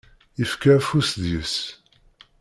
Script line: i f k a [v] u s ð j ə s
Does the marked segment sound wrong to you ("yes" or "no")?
yes